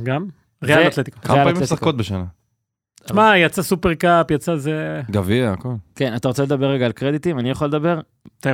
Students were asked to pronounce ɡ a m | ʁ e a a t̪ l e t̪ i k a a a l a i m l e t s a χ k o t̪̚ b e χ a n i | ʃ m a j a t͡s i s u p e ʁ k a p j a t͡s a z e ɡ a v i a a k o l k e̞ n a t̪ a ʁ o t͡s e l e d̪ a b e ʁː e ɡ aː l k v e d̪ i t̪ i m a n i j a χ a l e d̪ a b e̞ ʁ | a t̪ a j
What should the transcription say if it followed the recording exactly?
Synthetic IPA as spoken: ɡ a m | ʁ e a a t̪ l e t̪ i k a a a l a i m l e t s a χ k o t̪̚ b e ʃ a n a | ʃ m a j a t͡s a s u p e ʁ k a p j a t͡s a z e ɡ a v i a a k o l k e̞ n a t̪ a ʁ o t͡s e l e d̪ a b e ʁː e ɡ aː l k ʁ e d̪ i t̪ i m a n i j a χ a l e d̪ a b e̞ ʁ | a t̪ a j